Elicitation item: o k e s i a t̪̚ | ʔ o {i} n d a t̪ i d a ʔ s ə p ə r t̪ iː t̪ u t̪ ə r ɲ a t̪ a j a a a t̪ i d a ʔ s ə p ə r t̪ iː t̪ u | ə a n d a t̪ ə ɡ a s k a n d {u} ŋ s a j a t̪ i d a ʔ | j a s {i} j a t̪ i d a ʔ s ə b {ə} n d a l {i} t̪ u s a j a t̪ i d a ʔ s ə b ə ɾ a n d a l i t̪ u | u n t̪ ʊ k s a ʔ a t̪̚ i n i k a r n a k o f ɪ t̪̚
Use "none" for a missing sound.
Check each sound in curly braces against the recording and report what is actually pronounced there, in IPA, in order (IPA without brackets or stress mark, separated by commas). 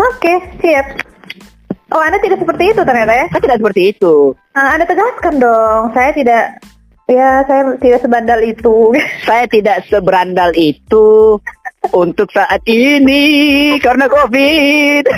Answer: a, ɔ, a, a, i